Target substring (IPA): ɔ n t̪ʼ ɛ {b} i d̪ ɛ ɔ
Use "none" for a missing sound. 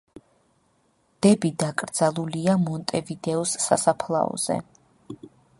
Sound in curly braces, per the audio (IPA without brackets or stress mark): v